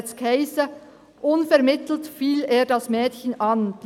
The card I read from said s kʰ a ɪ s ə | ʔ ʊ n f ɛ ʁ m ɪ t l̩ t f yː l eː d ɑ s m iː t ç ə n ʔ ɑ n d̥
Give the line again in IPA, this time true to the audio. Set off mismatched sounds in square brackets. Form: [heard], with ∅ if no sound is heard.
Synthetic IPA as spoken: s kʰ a ɪ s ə | ʔ ʊ n f ɛ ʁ m ɪ t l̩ t f [iː] l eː d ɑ s m [ɛː] t ç ə n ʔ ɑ n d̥